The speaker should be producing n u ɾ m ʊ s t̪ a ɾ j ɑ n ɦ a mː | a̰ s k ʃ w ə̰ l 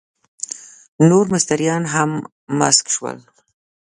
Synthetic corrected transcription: n o ɾ m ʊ s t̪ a ɾ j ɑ n ɦ a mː | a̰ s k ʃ w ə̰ l